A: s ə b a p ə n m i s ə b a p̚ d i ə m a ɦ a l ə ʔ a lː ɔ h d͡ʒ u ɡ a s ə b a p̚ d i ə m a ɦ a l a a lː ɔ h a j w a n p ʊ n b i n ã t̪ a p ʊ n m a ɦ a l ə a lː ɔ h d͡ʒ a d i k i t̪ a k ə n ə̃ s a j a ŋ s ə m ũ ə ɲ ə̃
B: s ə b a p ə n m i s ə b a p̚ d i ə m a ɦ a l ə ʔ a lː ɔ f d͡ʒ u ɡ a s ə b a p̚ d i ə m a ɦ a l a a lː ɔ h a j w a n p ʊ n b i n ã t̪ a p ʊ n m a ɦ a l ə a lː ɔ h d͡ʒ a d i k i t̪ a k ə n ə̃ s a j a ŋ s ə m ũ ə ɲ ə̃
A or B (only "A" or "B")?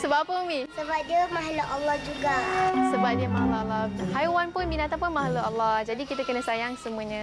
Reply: A